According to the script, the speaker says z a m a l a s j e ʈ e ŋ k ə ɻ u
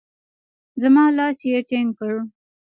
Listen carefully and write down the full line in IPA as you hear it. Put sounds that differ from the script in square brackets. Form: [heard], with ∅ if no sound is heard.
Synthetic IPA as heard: z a m [ɑ] l [ɑ] s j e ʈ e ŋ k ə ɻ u